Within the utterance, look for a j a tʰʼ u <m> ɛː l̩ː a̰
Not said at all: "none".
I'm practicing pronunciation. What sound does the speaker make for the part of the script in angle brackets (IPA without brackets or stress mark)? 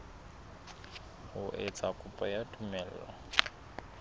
m